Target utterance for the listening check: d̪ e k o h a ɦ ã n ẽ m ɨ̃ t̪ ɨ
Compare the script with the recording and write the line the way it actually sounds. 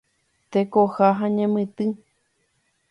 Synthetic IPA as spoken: t̪ e k o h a ɦ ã ɲ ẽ m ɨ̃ t̪ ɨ